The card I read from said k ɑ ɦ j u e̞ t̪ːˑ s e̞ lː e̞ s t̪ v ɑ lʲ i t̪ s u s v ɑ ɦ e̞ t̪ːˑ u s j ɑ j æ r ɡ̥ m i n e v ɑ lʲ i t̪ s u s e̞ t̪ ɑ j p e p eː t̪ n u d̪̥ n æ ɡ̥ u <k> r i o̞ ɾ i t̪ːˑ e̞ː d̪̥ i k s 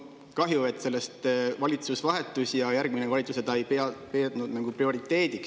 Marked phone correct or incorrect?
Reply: incorrect